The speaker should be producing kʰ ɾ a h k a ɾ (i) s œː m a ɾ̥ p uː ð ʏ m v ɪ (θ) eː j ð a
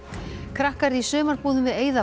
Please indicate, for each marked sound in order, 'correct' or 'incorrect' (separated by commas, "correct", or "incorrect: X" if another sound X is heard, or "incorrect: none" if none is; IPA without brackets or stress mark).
correct, incorrect: ð